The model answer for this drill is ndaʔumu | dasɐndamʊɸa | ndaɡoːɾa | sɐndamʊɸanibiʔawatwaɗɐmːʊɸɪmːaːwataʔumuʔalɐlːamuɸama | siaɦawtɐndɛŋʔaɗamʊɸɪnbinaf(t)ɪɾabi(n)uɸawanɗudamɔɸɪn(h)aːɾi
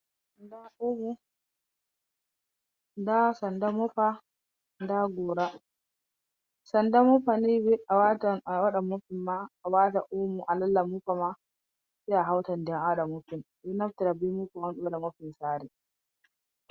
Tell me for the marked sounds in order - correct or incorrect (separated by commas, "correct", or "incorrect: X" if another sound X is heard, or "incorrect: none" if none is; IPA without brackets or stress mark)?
correct, incorrect: m, incorrect: s